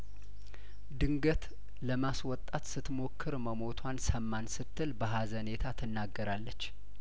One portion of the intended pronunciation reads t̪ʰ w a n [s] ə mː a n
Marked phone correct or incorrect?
correct